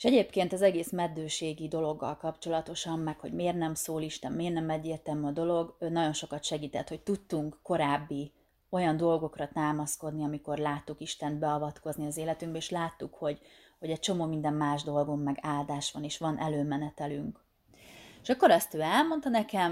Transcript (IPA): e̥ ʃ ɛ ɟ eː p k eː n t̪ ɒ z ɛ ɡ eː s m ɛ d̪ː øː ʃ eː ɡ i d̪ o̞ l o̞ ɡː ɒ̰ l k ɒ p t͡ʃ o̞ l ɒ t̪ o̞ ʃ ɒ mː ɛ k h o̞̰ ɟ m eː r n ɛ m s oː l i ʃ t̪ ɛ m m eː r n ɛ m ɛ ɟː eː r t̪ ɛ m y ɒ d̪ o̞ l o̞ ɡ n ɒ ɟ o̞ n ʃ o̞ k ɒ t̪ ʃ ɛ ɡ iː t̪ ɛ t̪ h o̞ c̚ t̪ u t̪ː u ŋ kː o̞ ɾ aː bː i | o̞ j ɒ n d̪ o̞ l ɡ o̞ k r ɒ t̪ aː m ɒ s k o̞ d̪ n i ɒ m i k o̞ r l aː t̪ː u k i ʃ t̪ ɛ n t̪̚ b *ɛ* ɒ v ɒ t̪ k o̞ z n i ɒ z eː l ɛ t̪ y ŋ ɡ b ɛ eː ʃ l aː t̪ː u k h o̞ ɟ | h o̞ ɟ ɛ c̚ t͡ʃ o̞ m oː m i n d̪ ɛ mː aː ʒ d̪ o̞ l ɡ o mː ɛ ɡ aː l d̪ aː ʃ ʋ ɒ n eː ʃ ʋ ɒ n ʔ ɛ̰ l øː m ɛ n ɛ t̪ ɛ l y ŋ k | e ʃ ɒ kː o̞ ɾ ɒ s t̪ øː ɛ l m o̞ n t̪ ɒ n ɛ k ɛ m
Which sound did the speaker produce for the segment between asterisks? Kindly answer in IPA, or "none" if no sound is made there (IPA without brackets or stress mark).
ɛ